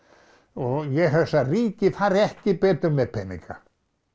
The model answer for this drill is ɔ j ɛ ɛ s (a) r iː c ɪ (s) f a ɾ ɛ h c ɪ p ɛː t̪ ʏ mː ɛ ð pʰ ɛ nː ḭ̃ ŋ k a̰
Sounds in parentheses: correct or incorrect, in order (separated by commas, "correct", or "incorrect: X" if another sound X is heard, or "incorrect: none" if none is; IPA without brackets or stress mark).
correct, incorrect: none